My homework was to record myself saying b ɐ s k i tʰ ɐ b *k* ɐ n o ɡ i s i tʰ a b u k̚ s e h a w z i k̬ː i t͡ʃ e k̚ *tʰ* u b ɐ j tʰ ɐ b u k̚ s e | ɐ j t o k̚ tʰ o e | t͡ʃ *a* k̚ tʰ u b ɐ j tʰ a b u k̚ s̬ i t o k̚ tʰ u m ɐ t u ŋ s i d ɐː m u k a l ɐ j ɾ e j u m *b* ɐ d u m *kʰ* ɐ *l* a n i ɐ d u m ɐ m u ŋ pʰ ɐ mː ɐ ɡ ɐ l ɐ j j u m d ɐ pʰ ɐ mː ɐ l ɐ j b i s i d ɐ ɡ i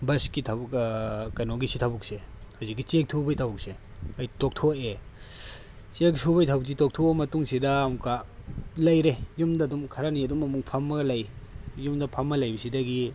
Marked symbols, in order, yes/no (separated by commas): yes, yes, no, no, yes, no